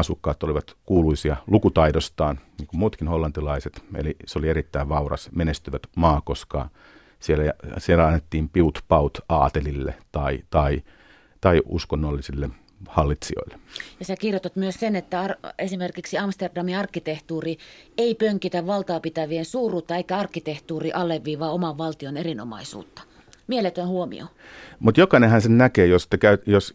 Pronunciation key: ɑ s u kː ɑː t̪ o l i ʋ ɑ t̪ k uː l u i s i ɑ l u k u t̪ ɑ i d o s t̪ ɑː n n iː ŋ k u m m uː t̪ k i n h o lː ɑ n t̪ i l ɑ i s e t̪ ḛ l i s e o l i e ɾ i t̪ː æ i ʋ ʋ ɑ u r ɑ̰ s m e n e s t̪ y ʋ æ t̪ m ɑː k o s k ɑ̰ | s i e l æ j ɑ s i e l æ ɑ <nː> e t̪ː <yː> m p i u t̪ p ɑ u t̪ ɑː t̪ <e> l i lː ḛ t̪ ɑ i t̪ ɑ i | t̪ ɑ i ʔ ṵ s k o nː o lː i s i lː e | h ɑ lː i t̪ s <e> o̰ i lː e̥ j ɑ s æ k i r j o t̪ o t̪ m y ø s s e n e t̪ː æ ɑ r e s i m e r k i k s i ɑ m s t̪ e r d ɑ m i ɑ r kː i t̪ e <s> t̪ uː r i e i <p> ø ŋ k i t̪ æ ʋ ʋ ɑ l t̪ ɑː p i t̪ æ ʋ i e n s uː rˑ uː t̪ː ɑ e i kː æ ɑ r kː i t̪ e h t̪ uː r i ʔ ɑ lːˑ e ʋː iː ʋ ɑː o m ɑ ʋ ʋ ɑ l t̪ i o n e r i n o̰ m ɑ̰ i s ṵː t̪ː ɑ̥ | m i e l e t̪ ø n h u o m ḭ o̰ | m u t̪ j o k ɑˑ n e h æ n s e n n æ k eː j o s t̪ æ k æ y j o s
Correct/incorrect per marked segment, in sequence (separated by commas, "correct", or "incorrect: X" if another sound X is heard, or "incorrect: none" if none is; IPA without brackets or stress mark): correct, incorrect: iː, correct, incorrect: i, incorrect: h, correct